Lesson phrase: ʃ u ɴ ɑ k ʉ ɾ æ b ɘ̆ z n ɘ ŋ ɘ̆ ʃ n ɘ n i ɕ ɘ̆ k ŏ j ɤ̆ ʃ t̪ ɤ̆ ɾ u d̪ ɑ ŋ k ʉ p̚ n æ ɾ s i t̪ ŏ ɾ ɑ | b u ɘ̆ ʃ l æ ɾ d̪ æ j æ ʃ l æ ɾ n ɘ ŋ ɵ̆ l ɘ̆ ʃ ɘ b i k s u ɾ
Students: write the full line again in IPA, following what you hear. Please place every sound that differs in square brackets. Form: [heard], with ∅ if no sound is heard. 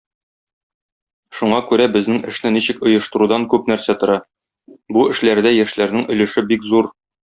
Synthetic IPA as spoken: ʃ u ɴ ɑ k ʉ ɾ æ b ɘ̆ z n ɘ ŋ ɘ̆ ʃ n ɘ n i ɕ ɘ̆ k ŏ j ɤ̆ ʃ t̪ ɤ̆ ɾ u d̪ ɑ ŋ k ʉ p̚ n æ ɾ s [æ] t̪ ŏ ɾ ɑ | b u ɘ̆ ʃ l æ ɾ d̪ æ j æ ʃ l æ ɾ n ɘ ŋ ɵ̆ l ɘ̆ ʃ ɘ b i k [z] u ɾ